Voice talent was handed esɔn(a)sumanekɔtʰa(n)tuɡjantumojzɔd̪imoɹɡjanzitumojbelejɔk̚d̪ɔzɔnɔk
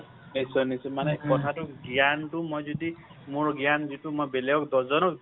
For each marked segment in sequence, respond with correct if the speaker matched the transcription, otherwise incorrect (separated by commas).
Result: incorrect, incorrect